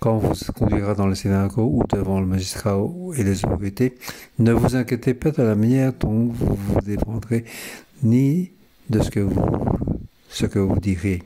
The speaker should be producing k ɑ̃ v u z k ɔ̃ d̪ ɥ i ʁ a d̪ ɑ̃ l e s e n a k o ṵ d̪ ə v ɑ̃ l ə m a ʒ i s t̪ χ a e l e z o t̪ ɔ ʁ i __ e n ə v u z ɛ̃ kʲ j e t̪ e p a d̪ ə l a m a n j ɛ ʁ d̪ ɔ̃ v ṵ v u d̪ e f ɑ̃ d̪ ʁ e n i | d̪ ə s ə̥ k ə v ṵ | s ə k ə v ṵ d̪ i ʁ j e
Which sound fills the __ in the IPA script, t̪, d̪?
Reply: t̪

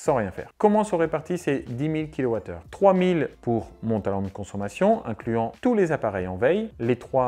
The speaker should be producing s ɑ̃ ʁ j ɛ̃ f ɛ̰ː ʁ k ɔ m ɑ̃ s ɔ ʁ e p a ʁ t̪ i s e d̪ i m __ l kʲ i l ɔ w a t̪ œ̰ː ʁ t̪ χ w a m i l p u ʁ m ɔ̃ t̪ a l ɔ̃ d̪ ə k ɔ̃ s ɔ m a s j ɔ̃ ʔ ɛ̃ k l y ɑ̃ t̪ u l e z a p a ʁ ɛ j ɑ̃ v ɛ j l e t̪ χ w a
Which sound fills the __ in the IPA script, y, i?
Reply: i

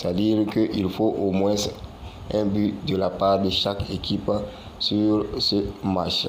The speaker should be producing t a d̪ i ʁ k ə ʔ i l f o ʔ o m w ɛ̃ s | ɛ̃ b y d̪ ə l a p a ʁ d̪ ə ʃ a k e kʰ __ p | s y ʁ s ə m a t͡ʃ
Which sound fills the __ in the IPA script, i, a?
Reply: i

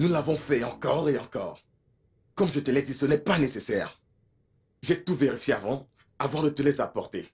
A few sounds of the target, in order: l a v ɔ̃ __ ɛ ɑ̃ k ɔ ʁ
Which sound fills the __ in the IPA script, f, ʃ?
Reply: f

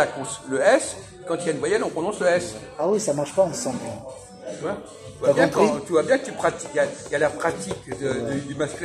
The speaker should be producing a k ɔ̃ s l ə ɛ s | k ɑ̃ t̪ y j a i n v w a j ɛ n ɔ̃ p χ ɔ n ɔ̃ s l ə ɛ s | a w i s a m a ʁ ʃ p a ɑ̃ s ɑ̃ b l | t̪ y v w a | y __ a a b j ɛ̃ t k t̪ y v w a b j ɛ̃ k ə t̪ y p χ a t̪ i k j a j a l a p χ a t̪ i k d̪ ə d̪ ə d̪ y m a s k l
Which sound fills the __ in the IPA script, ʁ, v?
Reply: v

